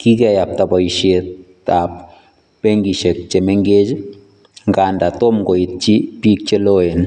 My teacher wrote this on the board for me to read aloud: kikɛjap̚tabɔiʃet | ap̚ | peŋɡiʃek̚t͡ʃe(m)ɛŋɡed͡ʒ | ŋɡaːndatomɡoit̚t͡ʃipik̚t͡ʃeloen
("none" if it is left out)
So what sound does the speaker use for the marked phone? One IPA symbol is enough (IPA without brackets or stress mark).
m